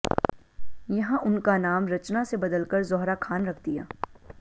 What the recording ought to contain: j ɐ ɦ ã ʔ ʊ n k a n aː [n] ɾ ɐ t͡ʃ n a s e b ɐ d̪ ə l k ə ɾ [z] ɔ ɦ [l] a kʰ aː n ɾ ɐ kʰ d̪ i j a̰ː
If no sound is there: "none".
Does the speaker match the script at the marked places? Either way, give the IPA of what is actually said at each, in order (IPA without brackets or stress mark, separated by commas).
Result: m, z, ɾ